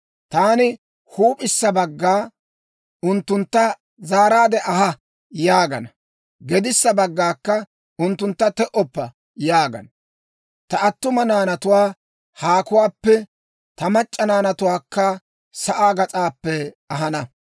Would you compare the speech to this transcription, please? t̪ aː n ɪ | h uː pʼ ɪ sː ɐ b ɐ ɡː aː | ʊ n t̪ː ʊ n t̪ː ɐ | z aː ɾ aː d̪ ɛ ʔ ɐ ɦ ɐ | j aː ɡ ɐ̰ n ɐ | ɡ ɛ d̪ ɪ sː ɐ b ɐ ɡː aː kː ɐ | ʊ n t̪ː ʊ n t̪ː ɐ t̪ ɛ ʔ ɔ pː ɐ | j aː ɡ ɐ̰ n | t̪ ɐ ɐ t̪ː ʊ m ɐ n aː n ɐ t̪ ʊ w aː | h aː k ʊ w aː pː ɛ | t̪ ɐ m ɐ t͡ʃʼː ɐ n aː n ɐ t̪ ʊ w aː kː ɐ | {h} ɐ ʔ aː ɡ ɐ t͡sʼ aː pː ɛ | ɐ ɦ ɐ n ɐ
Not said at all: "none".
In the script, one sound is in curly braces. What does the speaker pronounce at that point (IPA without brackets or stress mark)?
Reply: s